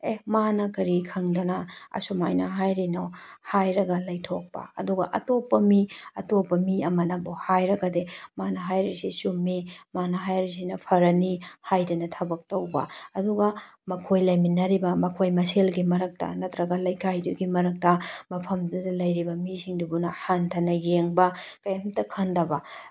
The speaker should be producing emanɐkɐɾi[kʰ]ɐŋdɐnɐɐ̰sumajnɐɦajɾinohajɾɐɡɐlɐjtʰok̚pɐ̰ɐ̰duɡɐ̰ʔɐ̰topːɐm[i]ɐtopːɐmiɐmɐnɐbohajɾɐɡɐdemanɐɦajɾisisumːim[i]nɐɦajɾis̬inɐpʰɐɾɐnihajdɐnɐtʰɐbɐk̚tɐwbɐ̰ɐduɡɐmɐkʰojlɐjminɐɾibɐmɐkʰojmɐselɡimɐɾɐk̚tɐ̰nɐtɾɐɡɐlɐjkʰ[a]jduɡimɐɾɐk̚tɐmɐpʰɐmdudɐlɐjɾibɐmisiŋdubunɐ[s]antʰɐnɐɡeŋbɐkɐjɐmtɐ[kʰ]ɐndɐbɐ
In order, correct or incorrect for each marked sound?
correct, correct, incorrect, correct, incorrect, correct

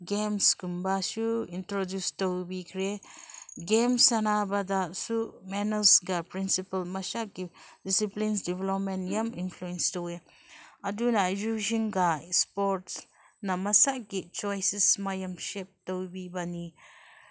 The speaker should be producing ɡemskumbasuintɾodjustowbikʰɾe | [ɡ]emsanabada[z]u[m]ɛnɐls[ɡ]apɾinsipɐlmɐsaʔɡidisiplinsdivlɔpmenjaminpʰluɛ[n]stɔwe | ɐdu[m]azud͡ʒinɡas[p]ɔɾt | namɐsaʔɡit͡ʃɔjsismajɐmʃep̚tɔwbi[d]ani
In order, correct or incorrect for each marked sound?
correct, incorrect, correct, correct, correct, incorrect, correct, incorrect

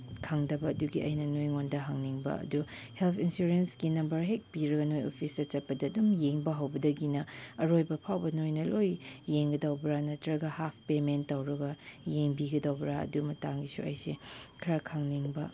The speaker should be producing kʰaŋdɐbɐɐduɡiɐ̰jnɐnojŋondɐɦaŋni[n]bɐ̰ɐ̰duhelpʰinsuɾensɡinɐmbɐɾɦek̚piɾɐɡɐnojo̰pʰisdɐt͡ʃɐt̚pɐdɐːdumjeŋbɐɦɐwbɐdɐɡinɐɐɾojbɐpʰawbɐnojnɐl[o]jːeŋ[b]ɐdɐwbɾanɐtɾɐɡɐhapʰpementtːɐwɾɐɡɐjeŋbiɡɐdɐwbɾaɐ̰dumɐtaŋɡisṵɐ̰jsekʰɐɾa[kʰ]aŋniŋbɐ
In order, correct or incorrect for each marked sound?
incorrect, correct, incorrect, correct

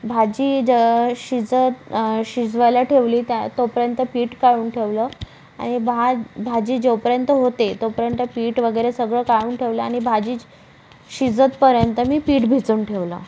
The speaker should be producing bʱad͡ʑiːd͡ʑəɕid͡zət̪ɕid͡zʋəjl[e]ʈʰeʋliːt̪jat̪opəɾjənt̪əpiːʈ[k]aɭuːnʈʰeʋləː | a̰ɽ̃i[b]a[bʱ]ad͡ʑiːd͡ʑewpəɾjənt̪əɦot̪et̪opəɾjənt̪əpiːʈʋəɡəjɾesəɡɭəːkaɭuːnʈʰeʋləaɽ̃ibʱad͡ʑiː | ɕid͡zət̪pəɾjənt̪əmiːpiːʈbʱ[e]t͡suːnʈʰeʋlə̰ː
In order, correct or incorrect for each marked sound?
incorrect, correct, correct, correct, incorrect

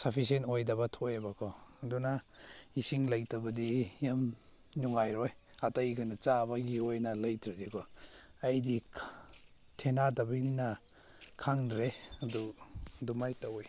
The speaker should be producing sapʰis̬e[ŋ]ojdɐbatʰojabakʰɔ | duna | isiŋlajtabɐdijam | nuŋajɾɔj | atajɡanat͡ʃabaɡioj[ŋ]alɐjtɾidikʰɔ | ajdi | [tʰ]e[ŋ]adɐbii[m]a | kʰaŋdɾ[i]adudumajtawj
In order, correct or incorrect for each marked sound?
incorrect, incorrect, correct, incorrect, incorrect, incorrect

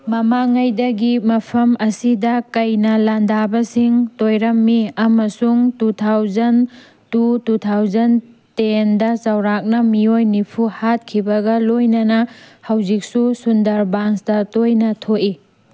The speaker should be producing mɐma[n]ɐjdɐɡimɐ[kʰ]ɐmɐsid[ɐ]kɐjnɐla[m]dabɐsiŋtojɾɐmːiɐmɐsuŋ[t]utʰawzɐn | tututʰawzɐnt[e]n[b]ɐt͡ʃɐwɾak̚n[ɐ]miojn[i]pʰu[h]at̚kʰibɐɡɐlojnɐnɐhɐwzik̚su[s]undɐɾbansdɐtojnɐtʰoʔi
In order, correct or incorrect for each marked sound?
incorrect, incorrect, correct, incorrect, correct, correct, incorrect, correct, correct, correct, correct

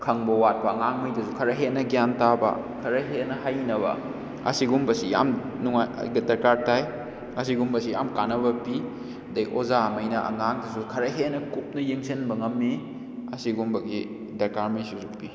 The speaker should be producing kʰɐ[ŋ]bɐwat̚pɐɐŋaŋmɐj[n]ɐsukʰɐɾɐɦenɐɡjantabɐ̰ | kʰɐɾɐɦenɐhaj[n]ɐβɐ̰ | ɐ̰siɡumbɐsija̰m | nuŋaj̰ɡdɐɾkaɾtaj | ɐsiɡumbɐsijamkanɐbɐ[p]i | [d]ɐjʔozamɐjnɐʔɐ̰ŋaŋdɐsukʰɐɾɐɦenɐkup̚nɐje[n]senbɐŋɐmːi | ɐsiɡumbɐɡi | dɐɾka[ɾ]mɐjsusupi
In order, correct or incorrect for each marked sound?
correct, incorrect, correct, correct, correct, incorrect, correct

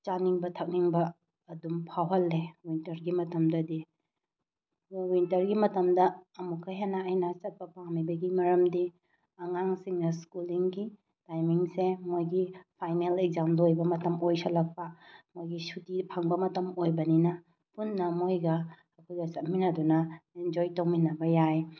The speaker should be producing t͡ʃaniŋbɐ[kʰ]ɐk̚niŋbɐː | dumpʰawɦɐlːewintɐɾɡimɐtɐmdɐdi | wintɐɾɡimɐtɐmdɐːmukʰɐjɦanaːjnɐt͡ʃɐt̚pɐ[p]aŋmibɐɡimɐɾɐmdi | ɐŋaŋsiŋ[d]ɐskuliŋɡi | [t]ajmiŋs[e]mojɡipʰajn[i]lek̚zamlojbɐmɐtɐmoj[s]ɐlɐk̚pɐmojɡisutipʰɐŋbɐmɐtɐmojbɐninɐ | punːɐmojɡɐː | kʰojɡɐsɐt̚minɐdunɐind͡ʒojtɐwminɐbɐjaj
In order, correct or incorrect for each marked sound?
incorrect, correct, incorrect, correct, correct, incorrect, correct

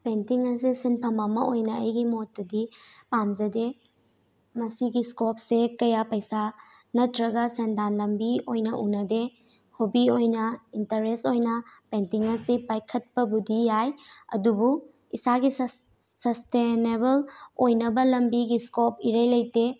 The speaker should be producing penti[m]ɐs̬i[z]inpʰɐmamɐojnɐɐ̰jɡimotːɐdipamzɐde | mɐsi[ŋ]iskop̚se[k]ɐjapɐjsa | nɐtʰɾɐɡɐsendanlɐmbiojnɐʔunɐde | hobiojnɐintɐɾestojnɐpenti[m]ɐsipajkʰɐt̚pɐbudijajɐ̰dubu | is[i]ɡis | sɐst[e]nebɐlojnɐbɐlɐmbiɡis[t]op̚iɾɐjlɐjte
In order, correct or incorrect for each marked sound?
incorrect, incorrect, incorrect, correct, incorrect, incorrect, correct, incorrect

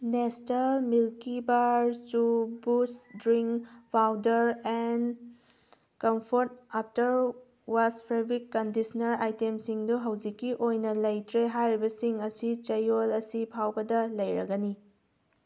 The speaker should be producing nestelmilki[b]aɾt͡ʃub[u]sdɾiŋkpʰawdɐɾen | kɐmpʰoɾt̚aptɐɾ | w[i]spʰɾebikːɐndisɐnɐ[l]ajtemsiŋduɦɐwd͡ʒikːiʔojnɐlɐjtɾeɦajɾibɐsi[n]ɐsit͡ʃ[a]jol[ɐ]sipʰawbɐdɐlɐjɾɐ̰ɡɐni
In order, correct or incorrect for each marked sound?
correct, correct, incorrect, incorrect, incorrect, incorrect, correct

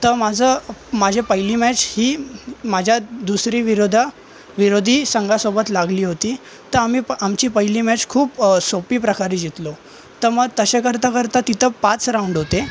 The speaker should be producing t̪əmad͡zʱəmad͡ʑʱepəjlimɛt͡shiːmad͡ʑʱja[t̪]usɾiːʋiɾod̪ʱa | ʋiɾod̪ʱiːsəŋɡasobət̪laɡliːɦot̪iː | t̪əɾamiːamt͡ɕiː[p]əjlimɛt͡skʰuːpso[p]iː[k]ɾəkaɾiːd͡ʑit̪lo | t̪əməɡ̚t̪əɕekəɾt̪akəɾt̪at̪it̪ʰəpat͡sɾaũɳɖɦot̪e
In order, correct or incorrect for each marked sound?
incorrect, correct, correct, incorrect

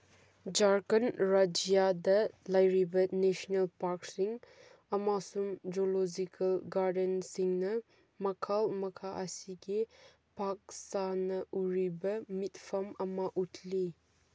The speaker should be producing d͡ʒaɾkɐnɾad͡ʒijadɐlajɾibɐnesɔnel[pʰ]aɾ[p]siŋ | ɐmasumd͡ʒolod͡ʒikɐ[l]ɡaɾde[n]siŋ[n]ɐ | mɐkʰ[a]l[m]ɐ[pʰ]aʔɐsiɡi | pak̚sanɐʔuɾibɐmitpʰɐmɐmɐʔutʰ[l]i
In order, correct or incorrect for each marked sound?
incorrect, incorrect, correct, correct, correct, correct, correct, incorrect, correct

